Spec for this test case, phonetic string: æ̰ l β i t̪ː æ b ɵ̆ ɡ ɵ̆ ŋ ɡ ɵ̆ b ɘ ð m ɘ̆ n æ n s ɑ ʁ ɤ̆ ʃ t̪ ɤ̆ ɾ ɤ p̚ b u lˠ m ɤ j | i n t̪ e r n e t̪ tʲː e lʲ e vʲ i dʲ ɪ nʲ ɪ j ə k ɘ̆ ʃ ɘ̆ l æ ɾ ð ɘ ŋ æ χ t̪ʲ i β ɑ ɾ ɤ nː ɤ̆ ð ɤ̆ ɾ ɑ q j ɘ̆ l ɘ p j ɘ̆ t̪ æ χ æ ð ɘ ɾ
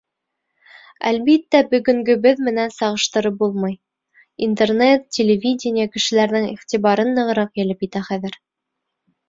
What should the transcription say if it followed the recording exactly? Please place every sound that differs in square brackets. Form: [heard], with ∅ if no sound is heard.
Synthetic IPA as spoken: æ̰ l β i t̪ː æ b ɵ̆ ɡ ɵ̆ ŋ ɡ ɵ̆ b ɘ ð m ɘ̆ n æ n s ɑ ʁ ɤ̆ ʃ t̪ ɤ̆ ɾ ɤ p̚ b u lˠ m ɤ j | i n t̪ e r n e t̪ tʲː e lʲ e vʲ i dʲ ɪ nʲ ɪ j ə k ɘ̆ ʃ ɘ̆ l æ ɾ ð ɘ ŋ [i] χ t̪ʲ i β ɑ ɾ ɤ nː ɤ̆ [ʁ] ɤ̆ ɾ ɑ q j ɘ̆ l ɘ p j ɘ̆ t̪ æ χ æ ð ɘ ɾ

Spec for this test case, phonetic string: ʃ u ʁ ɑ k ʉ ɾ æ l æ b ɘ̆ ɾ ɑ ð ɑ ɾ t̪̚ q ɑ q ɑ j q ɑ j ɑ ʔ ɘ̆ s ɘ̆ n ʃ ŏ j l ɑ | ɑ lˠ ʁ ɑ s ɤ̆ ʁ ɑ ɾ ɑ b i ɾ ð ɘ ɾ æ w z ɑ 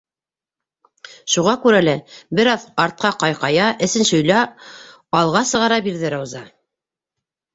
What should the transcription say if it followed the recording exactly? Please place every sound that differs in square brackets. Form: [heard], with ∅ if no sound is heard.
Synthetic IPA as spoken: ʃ u ʁ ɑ k ʉ ɾ æ l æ b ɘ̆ ɾ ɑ ð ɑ ɾ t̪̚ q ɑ q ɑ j q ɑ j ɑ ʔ ɘ̆ s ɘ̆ n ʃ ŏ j l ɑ | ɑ lˠ ʁ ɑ s ɤ̆ ʁ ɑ ɾ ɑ b i ɾ ð ɘ ɾ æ w z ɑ

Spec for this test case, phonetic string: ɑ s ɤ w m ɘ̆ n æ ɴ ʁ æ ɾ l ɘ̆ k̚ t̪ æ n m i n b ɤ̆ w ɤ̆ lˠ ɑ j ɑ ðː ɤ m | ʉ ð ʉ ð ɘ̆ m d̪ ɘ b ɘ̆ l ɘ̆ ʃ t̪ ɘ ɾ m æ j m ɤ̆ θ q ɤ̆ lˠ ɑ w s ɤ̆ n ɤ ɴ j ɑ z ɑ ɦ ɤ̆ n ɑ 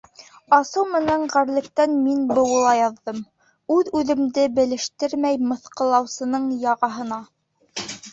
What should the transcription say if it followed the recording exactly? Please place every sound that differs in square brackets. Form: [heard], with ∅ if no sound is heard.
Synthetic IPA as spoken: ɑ s ɤ w m ɘ̆ n æ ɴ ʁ æ ɾ l ɘ̆ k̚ t̪ æ n m i n b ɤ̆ w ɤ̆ lˠ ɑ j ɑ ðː ɤ m | ʉ ð ʉ ð ɘ̆ m d̪ ɘ b ɘ̆ l ɘ̆ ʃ t̪ ɘ ɾ m æ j m ɤ̆ θ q ɤ̆ lˠ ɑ w s ɤ̆ n ɤ ɴ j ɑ [ʁ] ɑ ɦ ɤ̆ n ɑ

